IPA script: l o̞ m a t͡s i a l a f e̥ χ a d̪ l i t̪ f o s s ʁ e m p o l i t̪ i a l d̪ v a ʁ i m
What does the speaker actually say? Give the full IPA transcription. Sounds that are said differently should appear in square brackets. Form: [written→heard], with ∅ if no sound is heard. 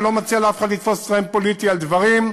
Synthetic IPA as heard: l o̞ m a t͡s i a l a f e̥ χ a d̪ l i t̪ f o s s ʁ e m p o l i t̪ i a l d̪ v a ʁ i m